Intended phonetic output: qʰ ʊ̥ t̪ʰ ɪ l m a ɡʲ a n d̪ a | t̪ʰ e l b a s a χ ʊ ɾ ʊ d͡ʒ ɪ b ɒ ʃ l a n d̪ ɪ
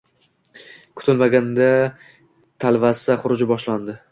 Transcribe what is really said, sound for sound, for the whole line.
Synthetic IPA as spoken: kʰ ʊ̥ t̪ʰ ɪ l m a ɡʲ a n d̪ a | t̪ʰ a l v a s a χ ʊ ɾ ʊ d͡ʒ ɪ b ɒ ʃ l a n d̪ ɪ